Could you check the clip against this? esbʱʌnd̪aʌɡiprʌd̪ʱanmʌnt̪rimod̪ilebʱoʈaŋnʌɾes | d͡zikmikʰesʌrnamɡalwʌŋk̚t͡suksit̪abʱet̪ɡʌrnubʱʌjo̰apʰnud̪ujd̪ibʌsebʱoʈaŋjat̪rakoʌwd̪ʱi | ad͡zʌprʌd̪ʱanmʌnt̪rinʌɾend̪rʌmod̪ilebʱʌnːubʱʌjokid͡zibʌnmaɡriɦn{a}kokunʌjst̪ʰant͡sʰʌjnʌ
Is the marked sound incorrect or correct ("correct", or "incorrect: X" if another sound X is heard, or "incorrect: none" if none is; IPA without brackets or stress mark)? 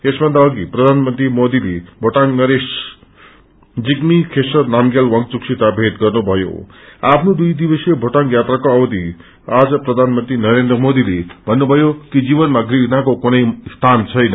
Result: correct